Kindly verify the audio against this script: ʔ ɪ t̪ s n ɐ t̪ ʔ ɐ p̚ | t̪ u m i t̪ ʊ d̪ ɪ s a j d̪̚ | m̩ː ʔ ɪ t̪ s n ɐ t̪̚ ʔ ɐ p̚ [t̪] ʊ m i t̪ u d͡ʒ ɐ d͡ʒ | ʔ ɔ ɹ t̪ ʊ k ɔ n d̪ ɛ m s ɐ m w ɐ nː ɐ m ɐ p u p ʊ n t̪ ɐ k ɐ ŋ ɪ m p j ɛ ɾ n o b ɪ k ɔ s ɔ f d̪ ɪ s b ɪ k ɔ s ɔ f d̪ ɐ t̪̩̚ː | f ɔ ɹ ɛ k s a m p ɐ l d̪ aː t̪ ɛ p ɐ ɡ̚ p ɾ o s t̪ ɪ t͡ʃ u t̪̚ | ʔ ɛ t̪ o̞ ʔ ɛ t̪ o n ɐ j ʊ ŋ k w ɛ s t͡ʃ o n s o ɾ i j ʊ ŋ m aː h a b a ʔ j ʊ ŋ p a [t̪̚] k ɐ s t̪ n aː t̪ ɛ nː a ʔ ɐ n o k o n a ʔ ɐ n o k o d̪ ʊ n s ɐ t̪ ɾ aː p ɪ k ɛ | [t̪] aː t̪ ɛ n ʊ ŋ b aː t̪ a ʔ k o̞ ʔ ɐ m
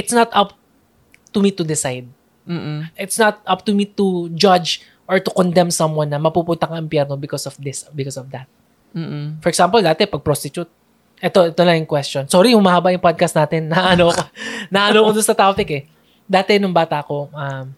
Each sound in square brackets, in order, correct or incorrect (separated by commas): correct, incorrect, incorrect